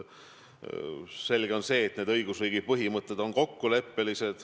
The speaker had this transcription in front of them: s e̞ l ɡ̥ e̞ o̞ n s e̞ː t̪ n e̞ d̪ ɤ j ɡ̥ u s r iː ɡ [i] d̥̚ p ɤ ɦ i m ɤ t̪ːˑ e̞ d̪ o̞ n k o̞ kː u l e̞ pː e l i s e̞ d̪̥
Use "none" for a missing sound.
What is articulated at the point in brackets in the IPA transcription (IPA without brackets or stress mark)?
i